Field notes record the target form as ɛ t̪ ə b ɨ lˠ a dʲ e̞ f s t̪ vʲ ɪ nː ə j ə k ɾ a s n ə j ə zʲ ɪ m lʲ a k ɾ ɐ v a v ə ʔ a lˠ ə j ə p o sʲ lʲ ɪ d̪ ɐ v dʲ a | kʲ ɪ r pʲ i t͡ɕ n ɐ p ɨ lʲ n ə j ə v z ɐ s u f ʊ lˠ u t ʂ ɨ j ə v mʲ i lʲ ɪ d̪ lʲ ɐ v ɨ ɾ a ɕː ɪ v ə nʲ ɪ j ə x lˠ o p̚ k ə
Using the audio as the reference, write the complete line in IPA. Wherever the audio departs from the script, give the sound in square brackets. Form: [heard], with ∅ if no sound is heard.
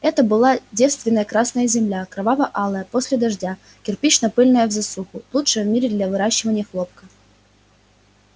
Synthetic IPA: ɛ t̪ ə b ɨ lˠ a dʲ e̞ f s t̪ vʲ ɪ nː ə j ə k ɾ a s n ə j ə zʲ ɪ m lʲ a k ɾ ɐ v a v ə ʔ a lˠ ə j ə p o sʲ lʲ ɪ d̪ ɐ [ʐ] dʲ a | kʲ ɪ r pʲ i t͡ɕ n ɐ p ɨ lʲ n ə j ə v z ɐ s u [x] ʊ lˠ u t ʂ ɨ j ə v mʲ i [ɾʲ] ɪ d̪ lʲ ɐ v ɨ ɾ a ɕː ɪ v ə nʲ ɪ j ə x lˠ o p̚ k ə